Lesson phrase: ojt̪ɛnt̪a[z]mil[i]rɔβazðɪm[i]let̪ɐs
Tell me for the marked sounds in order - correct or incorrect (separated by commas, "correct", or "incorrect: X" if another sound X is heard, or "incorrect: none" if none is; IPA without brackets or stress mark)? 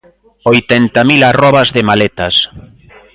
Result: incorrect: none, incorrect: a, incorrect: a